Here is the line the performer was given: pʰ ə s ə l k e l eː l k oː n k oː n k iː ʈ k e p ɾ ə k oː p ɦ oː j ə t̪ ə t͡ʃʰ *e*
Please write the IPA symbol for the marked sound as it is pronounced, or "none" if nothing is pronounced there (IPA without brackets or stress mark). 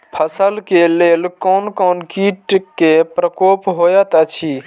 i